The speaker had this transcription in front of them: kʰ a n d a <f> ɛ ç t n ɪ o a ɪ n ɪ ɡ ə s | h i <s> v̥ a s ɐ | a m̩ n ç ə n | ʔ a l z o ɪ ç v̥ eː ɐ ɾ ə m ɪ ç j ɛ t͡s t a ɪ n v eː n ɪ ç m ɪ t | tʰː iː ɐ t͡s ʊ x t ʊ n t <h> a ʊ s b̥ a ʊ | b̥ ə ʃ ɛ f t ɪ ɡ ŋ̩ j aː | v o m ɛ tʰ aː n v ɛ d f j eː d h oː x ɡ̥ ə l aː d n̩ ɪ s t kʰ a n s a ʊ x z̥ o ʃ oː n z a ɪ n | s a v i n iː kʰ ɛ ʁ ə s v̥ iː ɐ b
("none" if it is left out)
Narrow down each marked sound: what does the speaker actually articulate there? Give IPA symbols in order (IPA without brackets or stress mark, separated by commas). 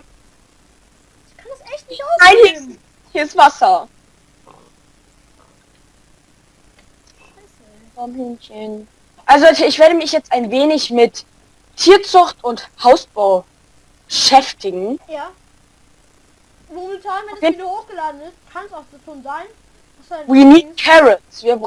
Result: s, s, h